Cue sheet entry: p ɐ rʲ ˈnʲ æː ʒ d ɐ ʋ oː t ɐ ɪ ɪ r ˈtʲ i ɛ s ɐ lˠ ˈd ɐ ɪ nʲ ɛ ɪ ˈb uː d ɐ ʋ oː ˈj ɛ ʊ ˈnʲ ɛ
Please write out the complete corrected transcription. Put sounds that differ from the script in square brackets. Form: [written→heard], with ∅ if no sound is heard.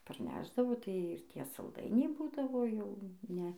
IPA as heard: p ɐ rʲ ˈnʲ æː ʒ d ɐ ʋ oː t ɐ ɪ ɪ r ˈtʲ i ɛ s ɐ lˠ ˈd ɐ ɪ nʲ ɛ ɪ ˈb uː d ɐ ʋ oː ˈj ɛ ʊ ˈnʲ ɛ